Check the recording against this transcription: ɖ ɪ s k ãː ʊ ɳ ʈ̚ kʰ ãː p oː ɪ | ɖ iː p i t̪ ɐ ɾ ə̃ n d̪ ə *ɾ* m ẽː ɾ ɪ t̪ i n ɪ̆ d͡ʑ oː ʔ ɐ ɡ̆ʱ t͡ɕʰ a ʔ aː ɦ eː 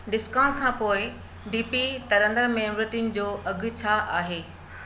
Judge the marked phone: correct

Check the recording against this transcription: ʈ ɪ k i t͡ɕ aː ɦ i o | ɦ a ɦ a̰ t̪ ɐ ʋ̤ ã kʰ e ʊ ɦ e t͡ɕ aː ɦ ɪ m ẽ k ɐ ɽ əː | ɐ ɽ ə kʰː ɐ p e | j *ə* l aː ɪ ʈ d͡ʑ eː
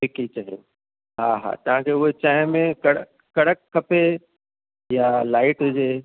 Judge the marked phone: incorrect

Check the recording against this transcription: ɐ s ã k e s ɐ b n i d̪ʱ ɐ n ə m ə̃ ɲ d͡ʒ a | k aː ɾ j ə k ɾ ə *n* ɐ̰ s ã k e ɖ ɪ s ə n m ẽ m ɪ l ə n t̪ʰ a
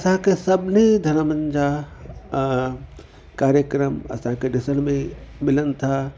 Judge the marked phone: incorrect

